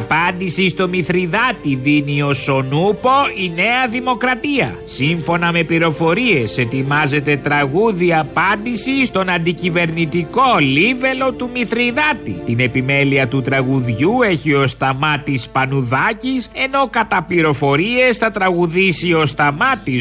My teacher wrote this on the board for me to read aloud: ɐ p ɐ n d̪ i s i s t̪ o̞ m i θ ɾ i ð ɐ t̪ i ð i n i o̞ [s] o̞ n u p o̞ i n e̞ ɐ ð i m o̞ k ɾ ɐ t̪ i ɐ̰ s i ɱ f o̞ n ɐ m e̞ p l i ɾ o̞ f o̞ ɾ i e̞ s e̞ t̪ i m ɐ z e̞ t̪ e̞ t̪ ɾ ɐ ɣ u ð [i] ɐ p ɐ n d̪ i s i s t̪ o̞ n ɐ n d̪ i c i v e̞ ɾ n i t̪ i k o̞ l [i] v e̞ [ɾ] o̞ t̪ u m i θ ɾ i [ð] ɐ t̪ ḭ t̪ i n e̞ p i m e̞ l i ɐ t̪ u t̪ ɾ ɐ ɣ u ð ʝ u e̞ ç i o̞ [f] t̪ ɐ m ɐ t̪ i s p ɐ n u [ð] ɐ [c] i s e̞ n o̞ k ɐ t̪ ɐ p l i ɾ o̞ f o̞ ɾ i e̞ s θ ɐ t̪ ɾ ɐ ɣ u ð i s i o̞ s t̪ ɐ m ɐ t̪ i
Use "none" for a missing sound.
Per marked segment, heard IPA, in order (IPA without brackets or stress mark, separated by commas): s, i, i, l, ð, s, ð, c